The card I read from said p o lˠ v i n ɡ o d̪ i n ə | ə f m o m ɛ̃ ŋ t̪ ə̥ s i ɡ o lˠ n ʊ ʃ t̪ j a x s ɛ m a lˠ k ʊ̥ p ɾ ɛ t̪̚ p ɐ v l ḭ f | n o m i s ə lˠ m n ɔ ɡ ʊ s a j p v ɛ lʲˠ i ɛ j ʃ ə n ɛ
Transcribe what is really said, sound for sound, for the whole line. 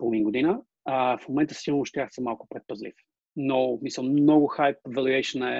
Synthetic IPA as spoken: p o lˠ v i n ɡ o d̪ i n ə | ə f m o m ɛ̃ n t̪ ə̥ s i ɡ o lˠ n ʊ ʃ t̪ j a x s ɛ m a lˠ k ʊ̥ p ɾ ɛ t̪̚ p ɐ z l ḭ f | n o m i s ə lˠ m n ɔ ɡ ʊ x a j p v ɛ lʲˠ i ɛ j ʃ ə n ɛ